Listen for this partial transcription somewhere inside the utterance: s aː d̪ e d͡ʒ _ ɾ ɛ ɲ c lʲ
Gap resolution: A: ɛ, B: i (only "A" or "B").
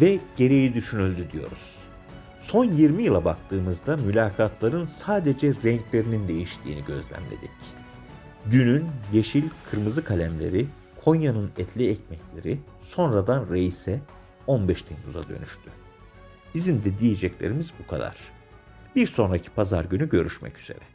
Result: A